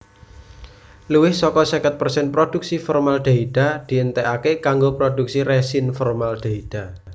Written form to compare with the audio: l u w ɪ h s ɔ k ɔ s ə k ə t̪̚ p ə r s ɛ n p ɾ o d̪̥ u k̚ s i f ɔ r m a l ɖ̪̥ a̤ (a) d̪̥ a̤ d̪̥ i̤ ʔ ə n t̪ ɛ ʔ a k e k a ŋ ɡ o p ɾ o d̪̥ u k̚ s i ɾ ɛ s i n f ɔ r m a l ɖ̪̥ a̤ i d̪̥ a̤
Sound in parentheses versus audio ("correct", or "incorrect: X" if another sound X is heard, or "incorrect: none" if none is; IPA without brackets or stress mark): incorrect: i